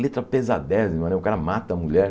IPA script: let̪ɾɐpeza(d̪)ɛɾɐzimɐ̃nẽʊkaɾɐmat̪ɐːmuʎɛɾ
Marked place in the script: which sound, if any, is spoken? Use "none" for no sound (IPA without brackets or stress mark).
d̪